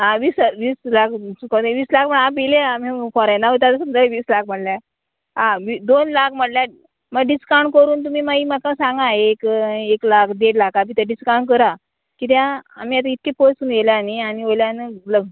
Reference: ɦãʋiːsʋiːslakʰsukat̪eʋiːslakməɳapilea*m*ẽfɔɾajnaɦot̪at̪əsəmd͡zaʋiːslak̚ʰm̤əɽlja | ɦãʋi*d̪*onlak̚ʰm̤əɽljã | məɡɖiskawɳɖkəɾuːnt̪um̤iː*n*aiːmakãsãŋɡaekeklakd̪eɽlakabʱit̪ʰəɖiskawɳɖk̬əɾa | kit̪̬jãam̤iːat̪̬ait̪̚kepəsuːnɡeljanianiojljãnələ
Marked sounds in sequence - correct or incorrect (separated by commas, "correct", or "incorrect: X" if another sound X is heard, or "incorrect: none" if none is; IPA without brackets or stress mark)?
correct, correct, incorrect: m